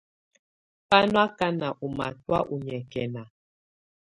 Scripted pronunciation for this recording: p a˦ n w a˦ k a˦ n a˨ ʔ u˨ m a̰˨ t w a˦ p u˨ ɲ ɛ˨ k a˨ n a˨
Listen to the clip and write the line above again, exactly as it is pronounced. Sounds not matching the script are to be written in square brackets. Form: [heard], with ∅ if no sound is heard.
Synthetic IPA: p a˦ n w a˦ k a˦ n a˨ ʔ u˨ m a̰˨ t w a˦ [ʔ] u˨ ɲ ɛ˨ k [ɛ˨] n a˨